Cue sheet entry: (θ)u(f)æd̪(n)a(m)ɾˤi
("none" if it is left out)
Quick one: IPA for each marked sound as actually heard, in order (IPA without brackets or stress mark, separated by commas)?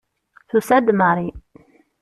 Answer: θ, s, m, none